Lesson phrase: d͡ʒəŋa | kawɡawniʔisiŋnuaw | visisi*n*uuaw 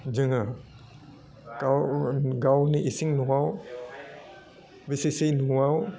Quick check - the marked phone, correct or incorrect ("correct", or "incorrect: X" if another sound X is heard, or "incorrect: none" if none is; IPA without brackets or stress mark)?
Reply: correct